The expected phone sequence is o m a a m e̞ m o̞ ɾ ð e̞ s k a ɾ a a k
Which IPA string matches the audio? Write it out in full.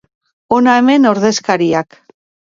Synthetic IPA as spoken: o n a e m e̞ n o̞ ɾ ð e̞ s k a ɾ i a k